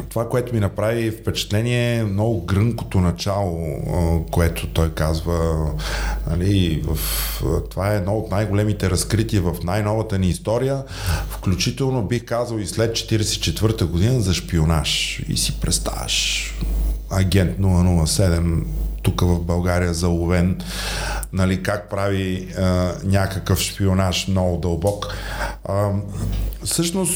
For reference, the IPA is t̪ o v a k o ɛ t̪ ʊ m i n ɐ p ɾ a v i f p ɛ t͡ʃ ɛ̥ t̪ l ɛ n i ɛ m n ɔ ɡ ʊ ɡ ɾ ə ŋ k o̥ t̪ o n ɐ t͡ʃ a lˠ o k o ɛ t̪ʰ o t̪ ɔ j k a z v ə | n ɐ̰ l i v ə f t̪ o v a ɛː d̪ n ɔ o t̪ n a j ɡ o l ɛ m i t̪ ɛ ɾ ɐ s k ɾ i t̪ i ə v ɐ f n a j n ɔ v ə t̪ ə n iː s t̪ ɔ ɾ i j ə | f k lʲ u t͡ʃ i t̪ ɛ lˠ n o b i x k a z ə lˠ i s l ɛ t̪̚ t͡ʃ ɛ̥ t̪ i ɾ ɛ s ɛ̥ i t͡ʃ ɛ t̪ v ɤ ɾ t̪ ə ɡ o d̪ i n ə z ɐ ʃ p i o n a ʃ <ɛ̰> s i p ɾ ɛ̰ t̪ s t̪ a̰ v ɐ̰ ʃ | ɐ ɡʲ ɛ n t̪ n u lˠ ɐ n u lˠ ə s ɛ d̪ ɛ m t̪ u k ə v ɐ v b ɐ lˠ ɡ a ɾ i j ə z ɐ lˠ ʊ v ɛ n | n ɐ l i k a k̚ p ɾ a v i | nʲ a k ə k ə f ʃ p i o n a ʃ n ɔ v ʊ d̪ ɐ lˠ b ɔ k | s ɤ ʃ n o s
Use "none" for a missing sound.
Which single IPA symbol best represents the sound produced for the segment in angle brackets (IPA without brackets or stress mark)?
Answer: ḭ